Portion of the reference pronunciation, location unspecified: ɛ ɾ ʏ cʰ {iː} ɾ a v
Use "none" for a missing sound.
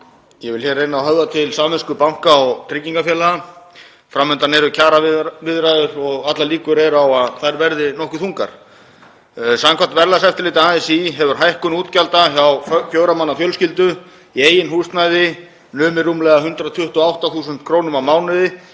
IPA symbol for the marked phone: aː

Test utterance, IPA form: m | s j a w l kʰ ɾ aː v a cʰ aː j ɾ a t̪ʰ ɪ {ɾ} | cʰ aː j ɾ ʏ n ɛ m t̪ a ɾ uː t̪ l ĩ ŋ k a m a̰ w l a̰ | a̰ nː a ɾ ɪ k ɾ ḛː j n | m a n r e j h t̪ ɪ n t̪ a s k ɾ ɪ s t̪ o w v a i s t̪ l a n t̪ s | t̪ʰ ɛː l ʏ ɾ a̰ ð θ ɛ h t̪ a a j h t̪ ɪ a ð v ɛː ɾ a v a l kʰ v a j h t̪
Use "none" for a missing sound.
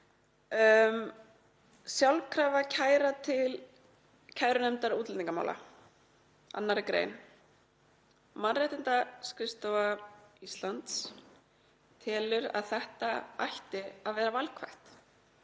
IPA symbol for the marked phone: l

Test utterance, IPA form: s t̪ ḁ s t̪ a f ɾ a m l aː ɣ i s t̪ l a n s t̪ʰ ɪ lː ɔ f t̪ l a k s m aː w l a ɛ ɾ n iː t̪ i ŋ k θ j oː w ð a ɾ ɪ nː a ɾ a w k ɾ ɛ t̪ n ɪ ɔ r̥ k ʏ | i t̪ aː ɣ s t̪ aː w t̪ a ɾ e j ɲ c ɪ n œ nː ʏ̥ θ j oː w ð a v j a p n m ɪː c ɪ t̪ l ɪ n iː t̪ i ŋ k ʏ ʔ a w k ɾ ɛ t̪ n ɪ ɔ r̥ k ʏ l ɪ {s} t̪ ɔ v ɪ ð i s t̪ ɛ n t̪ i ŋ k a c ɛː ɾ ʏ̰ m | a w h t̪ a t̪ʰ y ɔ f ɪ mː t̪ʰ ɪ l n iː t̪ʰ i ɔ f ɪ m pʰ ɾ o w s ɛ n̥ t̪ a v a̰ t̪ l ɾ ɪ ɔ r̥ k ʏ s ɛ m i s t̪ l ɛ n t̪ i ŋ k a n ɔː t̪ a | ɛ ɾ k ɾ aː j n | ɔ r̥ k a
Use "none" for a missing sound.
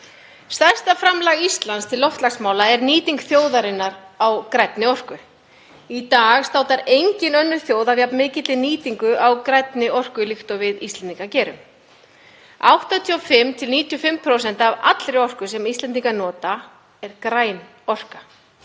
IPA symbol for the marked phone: x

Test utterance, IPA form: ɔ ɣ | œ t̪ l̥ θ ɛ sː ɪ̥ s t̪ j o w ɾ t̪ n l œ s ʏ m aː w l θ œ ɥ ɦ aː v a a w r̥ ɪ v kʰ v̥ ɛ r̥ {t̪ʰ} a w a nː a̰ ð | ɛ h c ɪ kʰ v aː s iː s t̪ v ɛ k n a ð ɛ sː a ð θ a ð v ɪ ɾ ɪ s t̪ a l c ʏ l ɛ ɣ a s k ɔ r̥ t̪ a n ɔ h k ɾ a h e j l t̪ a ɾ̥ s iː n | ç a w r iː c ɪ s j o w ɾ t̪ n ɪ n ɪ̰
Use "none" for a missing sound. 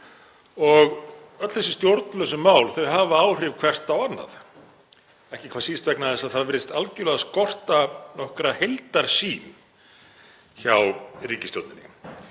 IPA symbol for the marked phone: t̪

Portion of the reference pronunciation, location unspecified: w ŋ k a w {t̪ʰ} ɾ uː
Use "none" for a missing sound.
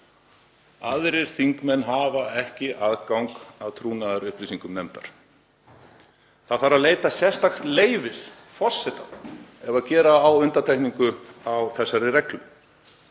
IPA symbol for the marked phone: t̪ʰ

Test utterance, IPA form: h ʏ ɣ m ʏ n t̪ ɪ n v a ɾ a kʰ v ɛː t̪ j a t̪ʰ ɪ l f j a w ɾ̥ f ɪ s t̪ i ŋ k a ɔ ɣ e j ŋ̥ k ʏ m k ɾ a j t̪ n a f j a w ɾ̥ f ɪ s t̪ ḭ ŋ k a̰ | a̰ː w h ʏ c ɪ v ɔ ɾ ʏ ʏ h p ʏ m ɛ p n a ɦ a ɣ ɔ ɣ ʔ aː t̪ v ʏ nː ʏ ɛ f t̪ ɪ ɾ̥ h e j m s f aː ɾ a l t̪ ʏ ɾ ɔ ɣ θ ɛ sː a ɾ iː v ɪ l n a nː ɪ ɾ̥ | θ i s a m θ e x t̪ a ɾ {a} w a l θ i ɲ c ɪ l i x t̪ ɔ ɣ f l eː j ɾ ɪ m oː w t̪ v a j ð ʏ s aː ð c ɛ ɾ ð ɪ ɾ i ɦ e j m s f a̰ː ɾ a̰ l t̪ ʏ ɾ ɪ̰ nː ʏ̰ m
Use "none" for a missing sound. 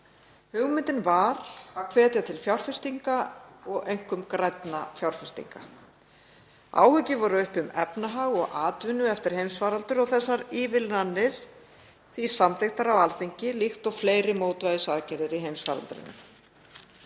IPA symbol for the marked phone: a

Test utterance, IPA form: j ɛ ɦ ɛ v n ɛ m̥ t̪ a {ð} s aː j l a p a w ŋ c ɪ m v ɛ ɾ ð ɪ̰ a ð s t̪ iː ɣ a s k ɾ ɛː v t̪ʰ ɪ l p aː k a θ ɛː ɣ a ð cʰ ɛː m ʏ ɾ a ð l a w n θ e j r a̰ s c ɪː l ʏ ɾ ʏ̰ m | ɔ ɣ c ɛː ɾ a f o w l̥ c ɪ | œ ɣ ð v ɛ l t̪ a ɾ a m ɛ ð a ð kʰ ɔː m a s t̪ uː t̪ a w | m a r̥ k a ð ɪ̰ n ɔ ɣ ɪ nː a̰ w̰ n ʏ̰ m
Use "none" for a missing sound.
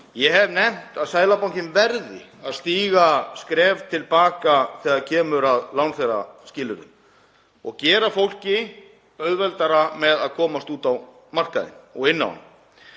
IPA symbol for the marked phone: ð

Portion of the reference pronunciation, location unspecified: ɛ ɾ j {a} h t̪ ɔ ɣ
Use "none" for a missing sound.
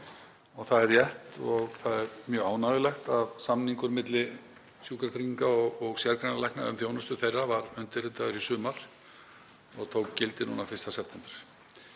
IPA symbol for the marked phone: ɛ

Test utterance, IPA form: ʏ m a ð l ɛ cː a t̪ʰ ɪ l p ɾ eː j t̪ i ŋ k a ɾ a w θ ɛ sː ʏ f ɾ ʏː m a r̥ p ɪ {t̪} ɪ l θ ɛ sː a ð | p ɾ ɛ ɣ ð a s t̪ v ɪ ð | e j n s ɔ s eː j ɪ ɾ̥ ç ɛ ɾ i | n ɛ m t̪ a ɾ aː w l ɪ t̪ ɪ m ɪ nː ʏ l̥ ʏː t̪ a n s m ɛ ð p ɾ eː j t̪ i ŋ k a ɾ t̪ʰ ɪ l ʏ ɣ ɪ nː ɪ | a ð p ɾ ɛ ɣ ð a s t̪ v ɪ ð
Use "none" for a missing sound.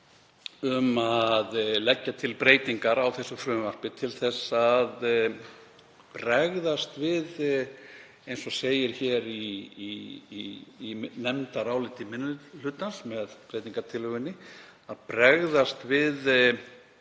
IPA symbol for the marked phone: t̪ʰ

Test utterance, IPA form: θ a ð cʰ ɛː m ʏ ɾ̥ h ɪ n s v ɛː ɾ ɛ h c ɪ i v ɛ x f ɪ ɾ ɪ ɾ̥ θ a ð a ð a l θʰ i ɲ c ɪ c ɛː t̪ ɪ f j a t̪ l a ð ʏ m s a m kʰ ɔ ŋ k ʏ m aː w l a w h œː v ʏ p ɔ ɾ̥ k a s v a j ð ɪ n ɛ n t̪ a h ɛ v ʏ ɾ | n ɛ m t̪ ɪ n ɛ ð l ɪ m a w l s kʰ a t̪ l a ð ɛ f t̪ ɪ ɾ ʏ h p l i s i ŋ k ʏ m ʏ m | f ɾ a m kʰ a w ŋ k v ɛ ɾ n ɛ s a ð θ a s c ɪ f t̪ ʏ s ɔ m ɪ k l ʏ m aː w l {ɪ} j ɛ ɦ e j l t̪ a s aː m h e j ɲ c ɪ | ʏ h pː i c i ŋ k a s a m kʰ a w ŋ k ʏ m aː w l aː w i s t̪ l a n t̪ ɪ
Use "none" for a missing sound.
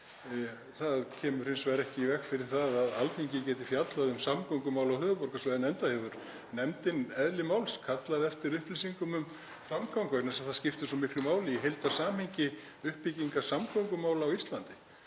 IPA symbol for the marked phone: ɪ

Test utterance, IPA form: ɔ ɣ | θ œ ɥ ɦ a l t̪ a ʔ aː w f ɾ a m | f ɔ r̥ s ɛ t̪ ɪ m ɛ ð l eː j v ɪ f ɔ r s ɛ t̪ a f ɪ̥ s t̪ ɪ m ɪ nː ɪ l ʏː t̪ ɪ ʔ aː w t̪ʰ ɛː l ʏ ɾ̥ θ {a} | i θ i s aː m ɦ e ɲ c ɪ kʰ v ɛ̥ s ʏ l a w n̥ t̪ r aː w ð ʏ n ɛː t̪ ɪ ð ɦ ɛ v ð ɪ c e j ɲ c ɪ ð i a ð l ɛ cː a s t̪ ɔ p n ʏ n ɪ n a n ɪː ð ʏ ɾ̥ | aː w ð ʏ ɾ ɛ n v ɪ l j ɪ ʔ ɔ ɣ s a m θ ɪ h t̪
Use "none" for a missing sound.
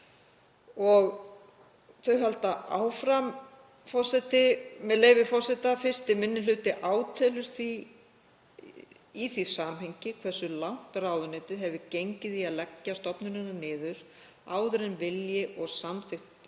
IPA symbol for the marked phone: i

